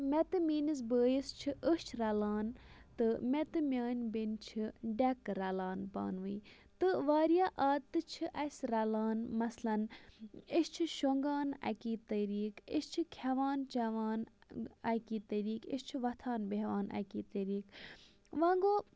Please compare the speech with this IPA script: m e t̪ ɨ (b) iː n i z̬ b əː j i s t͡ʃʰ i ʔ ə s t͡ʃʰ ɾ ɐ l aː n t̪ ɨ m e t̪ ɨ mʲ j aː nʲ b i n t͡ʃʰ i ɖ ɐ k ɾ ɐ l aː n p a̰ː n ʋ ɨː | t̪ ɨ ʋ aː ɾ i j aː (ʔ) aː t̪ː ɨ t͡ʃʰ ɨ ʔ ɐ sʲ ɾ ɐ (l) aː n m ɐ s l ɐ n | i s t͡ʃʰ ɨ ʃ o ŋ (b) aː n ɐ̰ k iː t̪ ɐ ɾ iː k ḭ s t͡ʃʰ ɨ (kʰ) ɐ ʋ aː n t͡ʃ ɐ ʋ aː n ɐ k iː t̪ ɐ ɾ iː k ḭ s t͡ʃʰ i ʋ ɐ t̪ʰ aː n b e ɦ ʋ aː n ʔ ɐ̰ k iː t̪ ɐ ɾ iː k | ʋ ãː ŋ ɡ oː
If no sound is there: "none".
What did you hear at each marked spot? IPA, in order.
m, ʔ, l, ɡ, kʰ

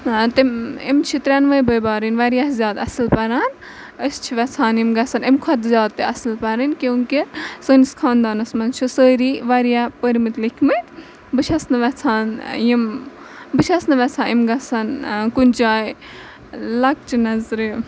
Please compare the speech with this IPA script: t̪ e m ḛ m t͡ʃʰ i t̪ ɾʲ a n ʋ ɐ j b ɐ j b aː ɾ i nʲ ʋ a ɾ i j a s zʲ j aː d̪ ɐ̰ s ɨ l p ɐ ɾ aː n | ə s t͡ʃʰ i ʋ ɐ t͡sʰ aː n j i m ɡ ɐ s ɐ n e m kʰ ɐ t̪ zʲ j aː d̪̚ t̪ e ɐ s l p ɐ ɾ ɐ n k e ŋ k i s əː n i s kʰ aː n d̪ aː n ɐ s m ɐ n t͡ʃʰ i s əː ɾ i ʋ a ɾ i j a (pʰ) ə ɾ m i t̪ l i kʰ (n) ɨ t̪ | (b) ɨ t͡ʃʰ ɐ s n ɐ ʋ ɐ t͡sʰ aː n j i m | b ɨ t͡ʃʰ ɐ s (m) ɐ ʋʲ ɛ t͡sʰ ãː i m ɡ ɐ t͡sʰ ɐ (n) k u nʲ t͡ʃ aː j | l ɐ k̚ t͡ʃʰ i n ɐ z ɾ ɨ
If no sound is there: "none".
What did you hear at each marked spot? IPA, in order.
p, m, b, n, n

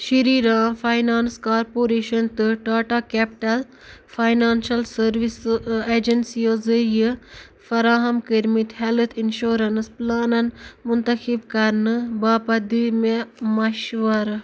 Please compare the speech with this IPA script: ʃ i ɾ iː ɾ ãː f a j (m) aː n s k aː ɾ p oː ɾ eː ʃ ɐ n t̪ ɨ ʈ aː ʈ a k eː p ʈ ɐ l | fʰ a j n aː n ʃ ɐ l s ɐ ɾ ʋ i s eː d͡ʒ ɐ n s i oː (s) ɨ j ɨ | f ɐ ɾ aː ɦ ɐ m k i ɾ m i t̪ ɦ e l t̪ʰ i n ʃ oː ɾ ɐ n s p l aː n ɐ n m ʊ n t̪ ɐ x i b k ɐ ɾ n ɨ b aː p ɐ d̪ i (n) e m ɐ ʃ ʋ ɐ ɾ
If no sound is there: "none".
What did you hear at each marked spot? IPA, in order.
n, z, m

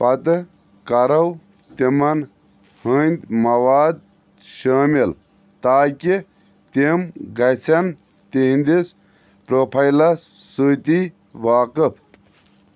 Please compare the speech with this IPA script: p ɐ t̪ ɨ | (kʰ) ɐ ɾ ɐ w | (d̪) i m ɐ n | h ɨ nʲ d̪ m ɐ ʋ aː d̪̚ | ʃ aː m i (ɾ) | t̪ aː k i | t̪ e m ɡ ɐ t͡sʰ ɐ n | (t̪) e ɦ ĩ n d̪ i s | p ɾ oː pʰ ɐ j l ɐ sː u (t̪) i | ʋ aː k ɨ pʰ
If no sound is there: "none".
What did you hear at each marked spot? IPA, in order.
k, t̪, l, t̪, t̪

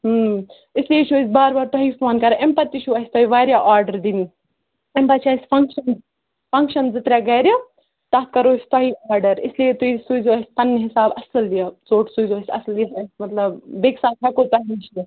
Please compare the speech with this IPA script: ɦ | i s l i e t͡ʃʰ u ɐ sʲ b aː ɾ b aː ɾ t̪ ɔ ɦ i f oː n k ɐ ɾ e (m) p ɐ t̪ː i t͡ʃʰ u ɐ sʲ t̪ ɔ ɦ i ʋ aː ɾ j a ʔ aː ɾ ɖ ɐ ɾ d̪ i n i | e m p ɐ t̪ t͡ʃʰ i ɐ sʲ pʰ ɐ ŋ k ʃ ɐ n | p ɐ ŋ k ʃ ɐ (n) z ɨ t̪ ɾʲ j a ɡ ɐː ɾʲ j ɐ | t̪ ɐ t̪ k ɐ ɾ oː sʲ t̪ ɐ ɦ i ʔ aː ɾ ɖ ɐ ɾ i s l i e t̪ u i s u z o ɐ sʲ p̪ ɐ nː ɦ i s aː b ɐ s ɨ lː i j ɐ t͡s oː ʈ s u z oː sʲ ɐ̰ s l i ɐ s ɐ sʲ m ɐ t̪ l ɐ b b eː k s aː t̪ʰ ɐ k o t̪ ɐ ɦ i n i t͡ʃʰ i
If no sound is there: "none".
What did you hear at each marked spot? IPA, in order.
m, n

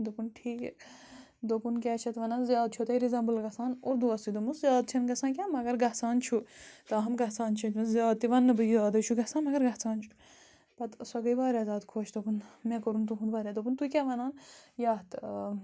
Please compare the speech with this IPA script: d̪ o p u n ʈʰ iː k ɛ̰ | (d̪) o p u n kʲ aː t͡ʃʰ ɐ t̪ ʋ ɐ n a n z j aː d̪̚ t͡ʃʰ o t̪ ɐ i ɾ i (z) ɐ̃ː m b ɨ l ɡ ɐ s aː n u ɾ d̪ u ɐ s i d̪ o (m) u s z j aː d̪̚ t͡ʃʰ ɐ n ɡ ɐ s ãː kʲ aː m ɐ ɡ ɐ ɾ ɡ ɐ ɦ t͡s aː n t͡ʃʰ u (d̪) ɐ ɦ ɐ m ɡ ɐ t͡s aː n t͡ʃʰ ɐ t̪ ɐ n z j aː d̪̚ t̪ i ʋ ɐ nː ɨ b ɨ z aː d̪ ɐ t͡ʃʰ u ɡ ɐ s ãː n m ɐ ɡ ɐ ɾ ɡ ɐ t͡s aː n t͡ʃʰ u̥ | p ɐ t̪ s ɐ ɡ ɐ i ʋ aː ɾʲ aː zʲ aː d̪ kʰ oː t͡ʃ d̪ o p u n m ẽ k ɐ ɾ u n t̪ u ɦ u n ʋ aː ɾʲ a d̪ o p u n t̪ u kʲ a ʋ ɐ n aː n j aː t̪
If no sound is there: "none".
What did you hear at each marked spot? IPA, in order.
d̪, z, m, t̪

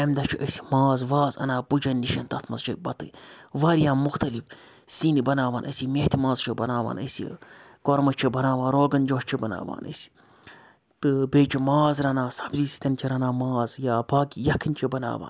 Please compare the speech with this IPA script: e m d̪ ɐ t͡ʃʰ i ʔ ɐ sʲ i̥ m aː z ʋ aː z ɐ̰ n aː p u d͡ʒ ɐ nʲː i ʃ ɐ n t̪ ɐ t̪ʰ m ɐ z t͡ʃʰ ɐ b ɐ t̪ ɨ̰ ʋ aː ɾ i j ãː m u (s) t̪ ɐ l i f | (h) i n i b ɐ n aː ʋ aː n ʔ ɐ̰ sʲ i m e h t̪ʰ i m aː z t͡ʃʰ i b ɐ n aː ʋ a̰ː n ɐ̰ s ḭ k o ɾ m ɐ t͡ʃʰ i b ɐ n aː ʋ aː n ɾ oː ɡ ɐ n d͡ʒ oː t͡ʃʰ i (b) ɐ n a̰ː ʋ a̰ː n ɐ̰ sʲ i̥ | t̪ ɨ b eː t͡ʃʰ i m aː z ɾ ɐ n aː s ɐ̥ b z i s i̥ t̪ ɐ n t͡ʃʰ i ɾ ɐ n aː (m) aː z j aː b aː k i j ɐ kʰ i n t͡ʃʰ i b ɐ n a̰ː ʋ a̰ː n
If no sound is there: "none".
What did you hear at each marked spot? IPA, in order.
x, s, b, m

